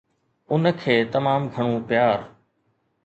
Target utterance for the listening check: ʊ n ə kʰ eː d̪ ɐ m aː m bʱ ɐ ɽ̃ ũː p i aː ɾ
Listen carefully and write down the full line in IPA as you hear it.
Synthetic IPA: ʊ n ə kʰ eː t̪ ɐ m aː m ɡʱ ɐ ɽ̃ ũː p j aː ɾ